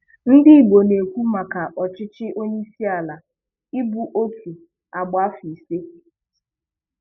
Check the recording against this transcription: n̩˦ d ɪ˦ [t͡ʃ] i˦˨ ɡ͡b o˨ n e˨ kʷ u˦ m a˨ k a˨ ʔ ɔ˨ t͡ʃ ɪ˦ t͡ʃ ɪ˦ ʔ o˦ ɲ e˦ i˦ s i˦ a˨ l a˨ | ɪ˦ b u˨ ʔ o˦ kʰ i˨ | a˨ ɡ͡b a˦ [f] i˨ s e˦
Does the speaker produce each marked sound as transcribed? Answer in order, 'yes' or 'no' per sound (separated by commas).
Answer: no, yes